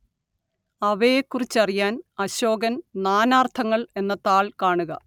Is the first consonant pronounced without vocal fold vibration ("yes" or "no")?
no